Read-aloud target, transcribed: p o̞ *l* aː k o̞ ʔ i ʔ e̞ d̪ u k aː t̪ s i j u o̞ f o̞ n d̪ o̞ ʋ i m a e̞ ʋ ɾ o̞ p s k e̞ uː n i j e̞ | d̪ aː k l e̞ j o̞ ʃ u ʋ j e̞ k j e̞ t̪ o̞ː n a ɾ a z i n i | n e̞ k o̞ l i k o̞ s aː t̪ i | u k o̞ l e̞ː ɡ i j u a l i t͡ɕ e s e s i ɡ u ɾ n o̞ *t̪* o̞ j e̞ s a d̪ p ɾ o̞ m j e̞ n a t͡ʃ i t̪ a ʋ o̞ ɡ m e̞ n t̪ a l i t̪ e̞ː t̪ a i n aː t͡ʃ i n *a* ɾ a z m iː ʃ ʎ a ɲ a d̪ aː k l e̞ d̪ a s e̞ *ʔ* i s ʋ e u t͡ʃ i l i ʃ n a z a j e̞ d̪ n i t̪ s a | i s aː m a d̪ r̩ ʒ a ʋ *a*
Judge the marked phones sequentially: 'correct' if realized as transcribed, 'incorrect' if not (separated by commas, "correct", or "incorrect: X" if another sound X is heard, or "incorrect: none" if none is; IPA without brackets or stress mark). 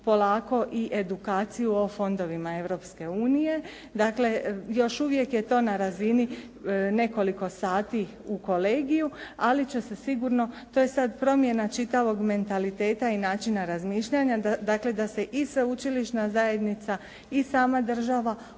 correct, correct, correct, correct, correct